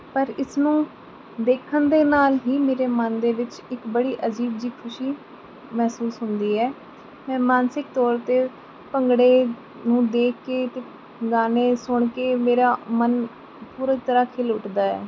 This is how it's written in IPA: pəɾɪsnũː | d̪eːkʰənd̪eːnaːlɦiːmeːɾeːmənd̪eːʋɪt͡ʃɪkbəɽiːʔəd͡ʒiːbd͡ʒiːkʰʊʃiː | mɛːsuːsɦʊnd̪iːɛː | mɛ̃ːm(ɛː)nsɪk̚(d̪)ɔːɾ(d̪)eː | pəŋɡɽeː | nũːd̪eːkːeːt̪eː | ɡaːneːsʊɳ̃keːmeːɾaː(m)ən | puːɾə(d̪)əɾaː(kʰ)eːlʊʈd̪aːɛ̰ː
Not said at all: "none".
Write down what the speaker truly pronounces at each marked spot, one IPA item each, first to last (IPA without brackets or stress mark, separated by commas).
aː, t̪, t̪, m, t̪, kʰ